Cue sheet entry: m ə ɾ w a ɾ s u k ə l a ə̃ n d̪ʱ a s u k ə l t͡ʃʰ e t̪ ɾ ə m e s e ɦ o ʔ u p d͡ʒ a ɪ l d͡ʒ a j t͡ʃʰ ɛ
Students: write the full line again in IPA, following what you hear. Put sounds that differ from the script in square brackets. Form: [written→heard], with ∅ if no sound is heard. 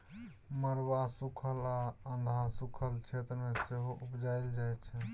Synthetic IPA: m ə ɾ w a [ɾ→∅] s u [k→kʰ] ə l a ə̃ n d̪ʱ a s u [k→kʰ] ə l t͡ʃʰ e t̪ ɾ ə m e s e ɦ o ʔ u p d͡ʒ a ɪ l d͡ʒ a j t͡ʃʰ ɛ

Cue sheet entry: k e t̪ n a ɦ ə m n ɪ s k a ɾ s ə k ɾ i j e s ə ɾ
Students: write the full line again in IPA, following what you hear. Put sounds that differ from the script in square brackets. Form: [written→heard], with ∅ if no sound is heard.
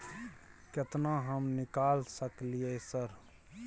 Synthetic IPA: k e t̪ n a ɦ ə m n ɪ [s→∅] k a [ɾ→l] s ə k [ɾ→l] i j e s ə ɾ

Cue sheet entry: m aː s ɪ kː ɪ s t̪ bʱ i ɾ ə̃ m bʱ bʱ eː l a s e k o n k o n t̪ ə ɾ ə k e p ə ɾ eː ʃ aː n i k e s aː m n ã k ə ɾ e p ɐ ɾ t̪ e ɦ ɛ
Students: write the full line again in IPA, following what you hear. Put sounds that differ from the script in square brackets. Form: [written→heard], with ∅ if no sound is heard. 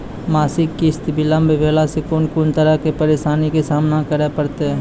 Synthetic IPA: m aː s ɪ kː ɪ s t̪ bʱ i [ɾ→l] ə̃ m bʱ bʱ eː l a s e k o n k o n t̪ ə ɾ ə k e p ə ɾ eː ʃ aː n i k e s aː m n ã k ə ɾ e p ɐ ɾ t̪ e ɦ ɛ

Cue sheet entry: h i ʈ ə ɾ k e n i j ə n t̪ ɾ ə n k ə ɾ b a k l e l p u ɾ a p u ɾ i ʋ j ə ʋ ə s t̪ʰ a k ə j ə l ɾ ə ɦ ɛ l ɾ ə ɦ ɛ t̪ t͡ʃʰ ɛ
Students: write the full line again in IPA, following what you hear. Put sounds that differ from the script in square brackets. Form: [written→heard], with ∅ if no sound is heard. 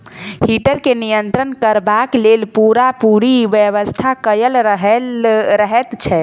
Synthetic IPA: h i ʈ ə ɾ k e n i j ə n t̪ ɾ ə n k ə ɾ b a k l e l p u ɾ a p u ɾ i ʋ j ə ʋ ə s t̪ʰ a k ə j ə l ɾ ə ɦ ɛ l ɾ ə ɦ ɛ t̪ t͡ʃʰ ɛ

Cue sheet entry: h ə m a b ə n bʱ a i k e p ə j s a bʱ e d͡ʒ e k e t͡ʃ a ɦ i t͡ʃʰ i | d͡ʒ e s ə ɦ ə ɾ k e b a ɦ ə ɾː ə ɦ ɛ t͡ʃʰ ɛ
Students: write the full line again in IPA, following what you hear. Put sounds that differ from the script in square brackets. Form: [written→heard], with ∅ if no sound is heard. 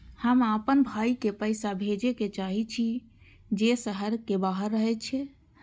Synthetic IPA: h ə m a [b→p] ə n bʱ a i k e p ə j s a bʱ e d͡ʒ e k e t͡ʃ a ɦ i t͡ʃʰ i | d͡ʒ e s ə ɦ ə ɾ k e b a ɦ ə ɾː ə ɦ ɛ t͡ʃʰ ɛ

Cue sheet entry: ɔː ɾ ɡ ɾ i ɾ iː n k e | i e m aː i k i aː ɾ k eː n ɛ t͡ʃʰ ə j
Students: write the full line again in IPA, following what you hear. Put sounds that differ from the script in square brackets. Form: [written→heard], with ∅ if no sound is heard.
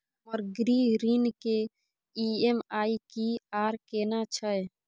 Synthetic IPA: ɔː ɾ ɡ ɾ i ɾ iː n k e | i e m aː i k i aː ɾ k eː n [ɛ→a] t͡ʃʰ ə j

